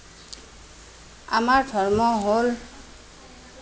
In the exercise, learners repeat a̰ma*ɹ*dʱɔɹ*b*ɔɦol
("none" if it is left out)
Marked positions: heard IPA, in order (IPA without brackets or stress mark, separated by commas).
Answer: ɹ, m